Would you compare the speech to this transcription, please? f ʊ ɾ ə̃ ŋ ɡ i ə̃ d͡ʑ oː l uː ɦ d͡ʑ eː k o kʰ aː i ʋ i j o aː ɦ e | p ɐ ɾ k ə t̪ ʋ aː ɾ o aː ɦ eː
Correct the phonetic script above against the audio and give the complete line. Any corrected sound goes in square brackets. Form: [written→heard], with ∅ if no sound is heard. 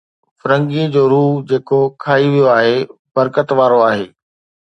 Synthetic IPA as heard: f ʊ ɾ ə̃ ŋ ɡ i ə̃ d͡ʑ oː [l→ɾ] uː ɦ d͡ʑ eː k o kʰ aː i ʋ i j o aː ɦ e | [p→b] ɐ ɾ k ə t̪ ʋ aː ɾ o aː ɦ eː